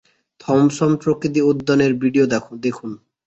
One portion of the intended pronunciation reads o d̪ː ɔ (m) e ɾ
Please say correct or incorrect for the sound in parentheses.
incorrect: n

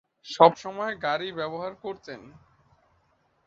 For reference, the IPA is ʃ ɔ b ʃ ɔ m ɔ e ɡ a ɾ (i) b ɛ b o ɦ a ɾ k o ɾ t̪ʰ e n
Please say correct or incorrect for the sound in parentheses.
correct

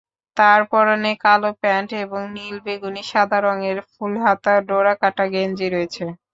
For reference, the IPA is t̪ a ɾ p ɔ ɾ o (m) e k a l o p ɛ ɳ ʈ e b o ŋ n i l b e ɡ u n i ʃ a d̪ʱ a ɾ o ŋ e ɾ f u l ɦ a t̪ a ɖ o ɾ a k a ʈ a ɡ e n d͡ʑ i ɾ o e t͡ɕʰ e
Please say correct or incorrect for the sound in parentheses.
incorrect: n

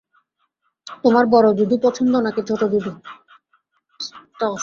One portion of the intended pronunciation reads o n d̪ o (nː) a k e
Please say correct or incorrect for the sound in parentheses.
incorrect: n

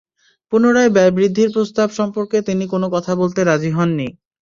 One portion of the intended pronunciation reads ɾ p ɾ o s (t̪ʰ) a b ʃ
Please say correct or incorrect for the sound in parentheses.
incorrect: t̪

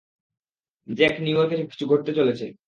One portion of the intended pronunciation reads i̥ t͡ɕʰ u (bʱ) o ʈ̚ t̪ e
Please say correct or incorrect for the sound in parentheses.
incorrect: ɡʱ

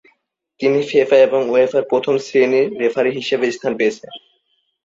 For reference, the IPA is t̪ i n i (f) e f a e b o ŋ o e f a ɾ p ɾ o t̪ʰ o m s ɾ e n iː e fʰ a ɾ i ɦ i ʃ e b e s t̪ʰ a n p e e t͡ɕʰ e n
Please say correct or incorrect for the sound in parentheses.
correct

